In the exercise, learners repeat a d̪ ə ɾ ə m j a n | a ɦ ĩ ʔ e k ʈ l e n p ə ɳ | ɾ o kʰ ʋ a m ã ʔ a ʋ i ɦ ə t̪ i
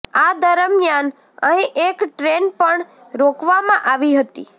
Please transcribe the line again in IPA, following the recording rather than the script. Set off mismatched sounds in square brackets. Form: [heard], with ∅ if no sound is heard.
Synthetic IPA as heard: a d̪ ə ɾ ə m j a n | [ə] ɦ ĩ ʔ e k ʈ [ɾ] e n p ə ɳ | ɾ o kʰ ʋ a m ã ʔ a ʋ i ɦ ə t̪ i